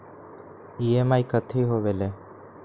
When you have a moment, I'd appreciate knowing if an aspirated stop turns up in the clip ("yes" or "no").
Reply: yes